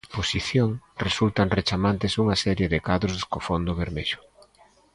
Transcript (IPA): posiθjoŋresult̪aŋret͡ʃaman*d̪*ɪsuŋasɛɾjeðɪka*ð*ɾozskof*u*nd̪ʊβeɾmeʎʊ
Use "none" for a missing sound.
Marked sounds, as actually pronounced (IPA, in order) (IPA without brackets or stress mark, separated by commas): t̪, ð, o